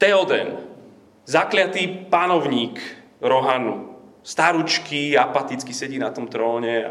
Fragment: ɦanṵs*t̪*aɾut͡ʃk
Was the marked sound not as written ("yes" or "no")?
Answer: no